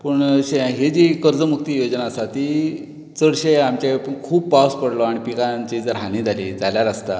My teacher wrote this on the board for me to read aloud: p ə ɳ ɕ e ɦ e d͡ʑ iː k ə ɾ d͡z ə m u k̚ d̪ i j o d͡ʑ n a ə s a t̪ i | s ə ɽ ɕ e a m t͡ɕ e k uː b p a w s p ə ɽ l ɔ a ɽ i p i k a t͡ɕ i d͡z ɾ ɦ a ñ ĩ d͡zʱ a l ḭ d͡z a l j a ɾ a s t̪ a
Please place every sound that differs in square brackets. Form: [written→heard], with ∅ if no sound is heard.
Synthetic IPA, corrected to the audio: p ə ɳ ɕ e ɦ e d͡ʑ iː k ə ɾ d͡z ə m u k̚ [d̪→t̪] i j o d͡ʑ n a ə s a t̪ i | [s→t͡s] ə ɽ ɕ e a m t͡ɕ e [k→kʰ] uː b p a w s p ə ɽ l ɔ a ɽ i p i k a t͡ɕ i d͡z ɾ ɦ a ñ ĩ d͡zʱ a l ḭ d͡z a l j a ɾ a s t̪ a

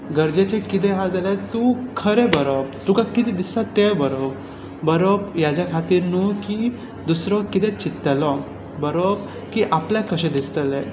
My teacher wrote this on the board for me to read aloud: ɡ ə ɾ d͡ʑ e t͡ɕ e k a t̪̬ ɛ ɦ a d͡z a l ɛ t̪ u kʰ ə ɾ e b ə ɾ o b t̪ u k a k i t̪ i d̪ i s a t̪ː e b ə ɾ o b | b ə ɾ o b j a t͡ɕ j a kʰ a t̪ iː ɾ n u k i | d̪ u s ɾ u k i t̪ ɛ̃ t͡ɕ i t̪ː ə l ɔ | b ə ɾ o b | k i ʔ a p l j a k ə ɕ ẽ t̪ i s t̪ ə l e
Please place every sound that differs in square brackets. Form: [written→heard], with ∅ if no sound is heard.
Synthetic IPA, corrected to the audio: ɡ ə ɾ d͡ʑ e t͡ɕ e k [a→i] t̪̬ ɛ ɦ a d͡z a l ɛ t̪ u kʰ ə ɾ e b ə ɾ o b t̪ u k a k i t̪ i d̪ i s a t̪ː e b ə ɾ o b | b ə ɾ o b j a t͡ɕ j a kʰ a t̪ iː ɾ n u k i | d̪ u s ɾ [u→ɔ] k i t̪ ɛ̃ t͡ɕ i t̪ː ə l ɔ | b ə ɾ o b | k i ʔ a p l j a k ə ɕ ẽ [t̪→d̪] i s t̪ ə l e

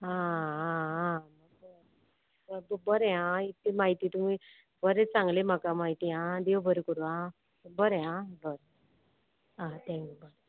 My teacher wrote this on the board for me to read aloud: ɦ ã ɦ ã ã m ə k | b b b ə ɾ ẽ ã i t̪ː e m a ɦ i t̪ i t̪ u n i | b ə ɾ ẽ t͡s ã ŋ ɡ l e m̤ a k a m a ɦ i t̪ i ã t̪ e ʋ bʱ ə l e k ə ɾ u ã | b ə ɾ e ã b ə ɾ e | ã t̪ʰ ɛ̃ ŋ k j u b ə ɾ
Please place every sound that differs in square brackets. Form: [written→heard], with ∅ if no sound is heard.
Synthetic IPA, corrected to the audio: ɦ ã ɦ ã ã m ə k | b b b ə ɾ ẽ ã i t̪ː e m a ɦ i t̪ i t̪ u [n→m] i | b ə ɾ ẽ t͡s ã ŋ ɡ l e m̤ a k a m a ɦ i t̪ i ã [t̪→d̪] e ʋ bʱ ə [l→ɾ] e k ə ɾ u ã | b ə ɾ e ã b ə ɾ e | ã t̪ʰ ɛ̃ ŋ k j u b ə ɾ

